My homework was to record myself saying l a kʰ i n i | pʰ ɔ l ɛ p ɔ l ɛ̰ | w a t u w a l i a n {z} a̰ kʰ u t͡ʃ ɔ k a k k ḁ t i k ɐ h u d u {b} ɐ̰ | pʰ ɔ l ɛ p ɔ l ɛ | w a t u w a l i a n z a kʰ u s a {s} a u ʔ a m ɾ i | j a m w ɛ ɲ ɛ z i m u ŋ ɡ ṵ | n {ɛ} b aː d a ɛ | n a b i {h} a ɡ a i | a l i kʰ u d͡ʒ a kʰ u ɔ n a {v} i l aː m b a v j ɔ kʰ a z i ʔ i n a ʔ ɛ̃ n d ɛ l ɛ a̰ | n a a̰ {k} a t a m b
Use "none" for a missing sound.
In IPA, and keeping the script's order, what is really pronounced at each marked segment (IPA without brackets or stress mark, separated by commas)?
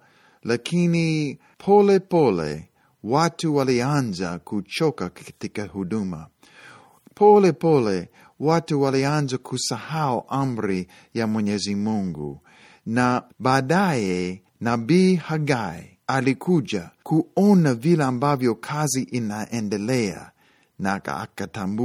z, m, h, a, h, v, k